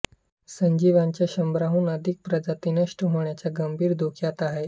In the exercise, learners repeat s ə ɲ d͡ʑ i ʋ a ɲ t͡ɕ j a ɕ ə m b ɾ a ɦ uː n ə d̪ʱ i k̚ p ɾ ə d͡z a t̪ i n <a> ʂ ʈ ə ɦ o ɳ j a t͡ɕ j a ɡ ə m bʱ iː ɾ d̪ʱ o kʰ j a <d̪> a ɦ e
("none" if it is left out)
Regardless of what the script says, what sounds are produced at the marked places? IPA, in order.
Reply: ə, t̪

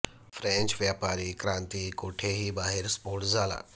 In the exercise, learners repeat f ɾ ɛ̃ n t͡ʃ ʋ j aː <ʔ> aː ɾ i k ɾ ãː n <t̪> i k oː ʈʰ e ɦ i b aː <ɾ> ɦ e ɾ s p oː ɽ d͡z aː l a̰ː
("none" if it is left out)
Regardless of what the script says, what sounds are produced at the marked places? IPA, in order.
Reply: p, t̪, none

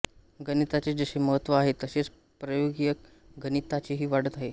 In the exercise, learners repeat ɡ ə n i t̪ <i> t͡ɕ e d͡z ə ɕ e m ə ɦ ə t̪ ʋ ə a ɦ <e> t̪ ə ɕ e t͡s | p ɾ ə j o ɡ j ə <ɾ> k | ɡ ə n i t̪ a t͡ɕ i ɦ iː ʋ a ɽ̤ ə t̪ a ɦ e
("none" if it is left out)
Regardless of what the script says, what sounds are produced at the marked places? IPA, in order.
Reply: a, e, none

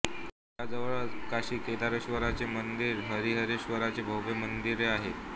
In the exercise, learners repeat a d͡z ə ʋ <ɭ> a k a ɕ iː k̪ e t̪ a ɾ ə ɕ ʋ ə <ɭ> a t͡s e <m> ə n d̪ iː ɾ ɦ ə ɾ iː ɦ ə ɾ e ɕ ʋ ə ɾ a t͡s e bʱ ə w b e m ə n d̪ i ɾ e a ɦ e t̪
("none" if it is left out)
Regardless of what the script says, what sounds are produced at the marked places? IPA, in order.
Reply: ɭ, ɾ, m

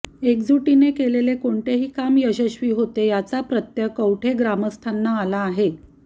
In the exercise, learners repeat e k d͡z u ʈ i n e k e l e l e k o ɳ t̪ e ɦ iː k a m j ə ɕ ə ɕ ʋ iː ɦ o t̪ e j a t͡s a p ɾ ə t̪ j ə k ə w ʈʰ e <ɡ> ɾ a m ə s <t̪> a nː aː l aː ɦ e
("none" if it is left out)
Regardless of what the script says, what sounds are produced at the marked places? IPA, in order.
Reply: ɡ, t̪ʰ

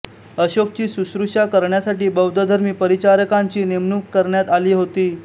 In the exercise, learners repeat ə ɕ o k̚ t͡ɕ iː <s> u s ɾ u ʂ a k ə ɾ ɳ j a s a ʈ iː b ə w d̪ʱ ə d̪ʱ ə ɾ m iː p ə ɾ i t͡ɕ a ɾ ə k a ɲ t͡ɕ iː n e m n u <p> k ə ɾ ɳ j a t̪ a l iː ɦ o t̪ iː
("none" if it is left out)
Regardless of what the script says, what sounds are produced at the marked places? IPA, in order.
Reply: s, k

